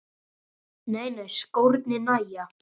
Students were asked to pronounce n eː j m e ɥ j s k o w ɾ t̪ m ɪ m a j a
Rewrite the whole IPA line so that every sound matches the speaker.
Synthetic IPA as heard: n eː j n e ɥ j s k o w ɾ t̪ n ɪ n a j a